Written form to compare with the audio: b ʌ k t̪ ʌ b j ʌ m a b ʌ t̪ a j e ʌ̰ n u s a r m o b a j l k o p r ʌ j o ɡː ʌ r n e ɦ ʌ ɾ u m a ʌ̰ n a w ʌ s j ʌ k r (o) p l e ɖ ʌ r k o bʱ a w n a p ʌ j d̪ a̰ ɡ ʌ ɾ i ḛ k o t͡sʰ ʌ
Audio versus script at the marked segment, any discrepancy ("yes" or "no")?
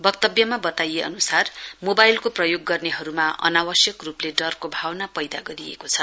yes